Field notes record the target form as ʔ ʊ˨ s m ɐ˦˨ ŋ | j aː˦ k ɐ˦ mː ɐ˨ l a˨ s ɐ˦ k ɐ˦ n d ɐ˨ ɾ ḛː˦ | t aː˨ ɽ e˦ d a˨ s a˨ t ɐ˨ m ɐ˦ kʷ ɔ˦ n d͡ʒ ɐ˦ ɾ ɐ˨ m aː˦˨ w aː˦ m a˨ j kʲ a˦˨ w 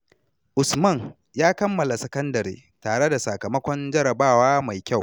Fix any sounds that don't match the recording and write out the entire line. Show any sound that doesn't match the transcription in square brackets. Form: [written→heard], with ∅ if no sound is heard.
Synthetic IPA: ʔ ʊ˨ s m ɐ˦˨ ŋ | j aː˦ k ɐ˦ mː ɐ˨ l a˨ s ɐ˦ k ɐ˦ n d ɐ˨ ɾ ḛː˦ | t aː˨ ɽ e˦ d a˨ s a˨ [t→k] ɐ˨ m ɐ˦ kʷ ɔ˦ n d͡ʒ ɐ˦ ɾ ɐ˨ [m→b] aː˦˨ w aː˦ m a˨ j kʲ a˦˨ w